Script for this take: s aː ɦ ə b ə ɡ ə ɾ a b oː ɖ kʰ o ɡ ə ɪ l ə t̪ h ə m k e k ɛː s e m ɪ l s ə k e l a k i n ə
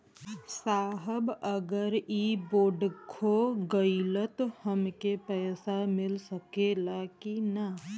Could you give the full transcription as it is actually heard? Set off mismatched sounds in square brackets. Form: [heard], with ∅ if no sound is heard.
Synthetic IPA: s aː ɦ ə b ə ɡ ə ɾ [i] b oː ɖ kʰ o ɡ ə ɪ l ə t̪ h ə m k e [p] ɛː s [a] m ɪ l s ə k e l a k i n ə